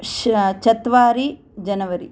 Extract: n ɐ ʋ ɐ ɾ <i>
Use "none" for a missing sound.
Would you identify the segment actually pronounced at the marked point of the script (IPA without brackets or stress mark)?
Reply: i